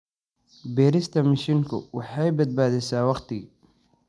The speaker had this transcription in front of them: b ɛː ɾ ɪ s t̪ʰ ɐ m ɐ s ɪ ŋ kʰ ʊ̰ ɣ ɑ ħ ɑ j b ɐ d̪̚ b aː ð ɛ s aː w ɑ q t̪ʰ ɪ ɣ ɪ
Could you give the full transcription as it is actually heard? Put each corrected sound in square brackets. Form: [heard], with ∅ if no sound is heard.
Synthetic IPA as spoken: b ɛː ɾ ɪ s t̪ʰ ɐ m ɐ [ʃ] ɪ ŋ kʰ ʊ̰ [w] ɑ ħ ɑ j b ɐ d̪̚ b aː ð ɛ s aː w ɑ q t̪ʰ ɪ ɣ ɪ